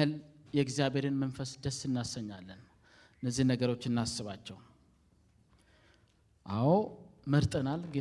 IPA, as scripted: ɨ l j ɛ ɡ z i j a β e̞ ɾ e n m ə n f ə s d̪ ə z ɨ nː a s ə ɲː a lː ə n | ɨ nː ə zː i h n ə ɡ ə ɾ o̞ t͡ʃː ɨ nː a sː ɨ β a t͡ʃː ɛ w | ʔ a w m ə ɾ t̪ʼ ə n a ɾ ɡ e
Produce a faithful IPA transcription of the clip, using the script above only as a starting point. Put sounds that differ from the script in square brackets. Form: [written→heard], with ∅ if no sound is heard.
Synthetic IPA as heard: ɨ l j ɛ ɡ z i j a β e̞ ɾ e n m ə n f ə s d̪ ə [z→s] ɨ nː a s ə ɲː a lː ə n | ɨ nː ə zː i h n ə ɡ ə ɾ o̞ t͡ʃː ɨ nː a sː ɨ β a t͡ʃː ɛ w | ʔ a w m ə ɾ t̪ʼ ə n a [ɾ→l] ɡ e